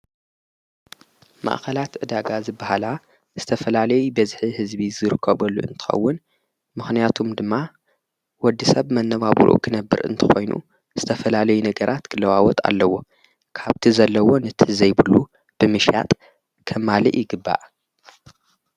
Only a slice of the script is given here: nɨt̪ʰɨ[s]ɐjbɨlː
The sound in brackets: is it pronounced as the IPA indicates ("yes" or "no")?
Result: no